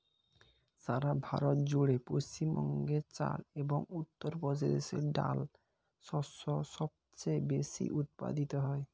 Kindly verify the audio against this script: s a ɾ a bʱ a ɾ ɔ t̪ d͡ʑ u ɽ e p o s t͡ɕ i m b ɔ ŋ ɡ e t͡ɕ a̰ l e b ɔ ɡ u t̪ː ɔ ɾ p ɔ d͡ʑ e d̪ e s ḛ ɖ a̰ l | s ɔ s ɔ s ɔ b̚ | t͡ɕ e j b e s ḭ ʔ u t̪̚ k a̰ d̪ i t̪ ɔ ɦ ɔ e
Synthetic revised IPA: s a ɾ a bʱ a ɾ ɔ t̪ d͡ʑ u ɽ e p o s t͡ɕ i m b ɔ ŋ ɡ e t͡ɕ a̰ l e b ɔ ŋ u t̪ː ɔ ɾ p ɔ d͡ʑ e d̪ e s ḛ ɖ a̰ l | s ɔ s ɔ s ɔ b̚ | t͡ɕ e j b e s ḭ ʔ u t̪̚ p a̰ d̪ i t̪ ɔ ɦ ɔ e